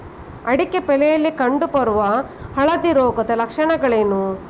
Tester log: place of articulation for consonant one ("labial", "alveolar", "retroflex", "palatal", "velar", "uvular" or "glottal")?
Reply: retroflex